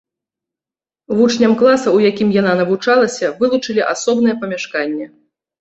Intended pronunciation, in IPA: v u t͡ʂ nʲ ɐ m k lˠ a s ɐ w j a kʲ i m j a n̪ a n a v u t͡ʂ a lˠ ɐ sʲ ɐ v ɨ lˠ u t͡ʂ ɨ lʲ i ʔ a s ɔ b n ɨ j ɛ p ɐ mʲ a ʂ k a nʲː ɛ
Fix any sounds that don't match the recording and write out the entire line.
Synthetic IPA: v u t͡ʂ nʲ ɐ m k lˠ a s ɐ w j a kʲ i m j a n̪ a n ɐ v u t͡ʂ a lˠ ɐ sʲ ɐ v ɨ lˠ u t͡ʂ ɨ lʲ i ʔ a s ɔ b n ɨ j ɛ p ɐ mʲ a ʂ k a nʲː ɛ

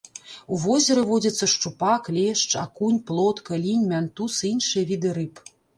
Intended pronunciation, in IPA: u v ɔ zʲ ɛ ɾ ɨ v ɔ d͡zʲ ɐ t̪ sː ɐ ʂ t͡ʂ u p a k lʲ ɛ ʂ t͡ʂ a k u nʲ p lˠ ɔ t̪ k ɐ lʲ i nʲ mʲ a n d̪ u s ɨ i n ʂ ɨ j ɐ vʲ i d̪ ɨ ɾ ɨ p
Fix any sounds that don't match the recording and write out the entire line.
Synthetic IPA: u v ɔ zʲ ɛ ɾ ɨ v ɔ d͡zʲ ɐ t̪ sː ɐ ʂ t͡ʂ u p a k lʲ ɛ ʂ t͡ʂ a k u nʲ p lˠ ɔ t̪ k ɐ lʲ i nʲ mʲ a n t̪ u s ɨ i n ʂ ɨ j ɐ vʲ i d̪ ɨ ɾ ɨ p

